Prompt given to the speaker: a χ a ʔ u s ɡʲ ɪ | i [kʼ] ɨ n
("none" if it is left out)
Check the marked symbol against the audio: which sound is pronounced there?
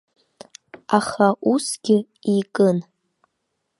kʼ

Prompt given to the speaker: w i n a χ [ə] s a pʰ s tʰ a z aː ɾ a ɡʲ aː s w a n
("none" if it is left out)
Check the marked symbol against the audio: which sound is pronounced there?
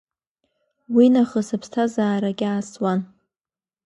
ə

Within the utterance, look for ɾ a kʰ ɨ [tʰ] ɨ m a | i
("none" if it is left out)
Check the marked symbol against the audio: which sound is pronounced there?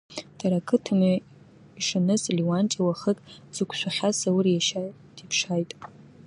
tʰ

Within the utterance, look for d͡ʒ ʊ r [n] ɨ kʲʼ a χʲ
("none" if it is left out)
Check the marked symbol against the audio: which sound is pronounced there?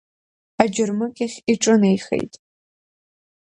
m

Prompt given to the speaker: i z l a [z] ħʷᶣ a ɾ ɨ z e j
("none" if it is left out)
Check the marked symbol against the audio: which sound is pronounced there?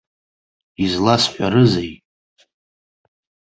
s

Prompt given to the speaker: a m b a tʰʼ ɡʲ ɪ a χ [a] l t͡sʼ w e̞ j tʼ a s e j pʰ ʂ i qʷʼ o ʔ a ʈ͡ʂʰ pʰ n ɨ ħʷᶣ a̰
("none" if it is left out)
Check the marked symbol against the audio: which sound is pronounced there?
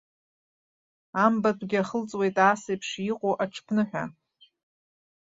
ə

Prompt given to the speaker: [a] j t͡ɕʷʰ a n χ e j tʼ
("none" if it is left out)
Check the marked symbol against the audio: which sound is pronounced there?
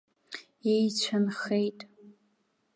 e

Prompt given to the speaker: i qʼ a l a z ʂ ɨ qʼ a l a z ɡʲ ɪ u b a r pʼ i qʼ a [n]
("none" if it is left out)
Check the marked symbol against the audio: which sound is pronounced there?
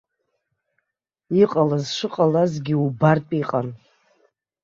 n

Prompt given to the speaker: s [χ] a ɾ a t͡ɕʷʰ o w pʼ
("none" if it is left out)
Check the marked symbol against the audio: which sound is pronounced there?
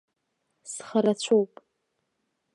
χ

